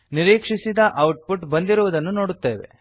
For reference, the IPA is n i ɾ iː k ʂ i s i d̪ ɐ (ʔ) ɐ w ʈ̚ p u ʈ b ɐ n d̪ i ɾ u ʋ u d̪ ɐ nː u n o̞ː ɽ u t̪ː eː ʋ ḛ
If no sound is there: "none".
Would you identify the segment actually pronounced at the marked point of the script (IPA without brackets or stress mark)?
ʔ